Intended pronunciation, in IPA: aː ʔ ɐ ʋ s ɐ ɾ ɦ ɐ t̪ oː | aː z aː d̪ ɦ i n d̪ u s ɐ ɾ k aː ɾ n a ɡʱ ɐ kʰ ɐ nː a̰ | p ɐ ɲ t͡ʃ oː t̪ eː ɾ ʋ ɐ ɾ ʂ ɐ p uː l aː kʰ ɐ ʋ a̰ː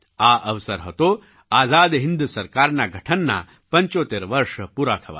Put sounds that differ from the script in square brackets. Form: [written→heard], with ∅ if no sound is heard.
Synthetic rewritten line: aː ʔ ɐ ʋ s ɐ ɾ ɦ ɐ t̪ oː | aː z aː d̪ ɦ i n d̪ u s ɐ ɾ k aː ɾ n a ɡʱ ɐ [kʰ→ʈʰ] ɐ nː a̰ | p ɐ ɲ t͡ʃ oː t̪ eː ɾ ʋ ɐ ɾ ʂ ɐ p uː [l→ɾ] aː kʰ ɐ ʋ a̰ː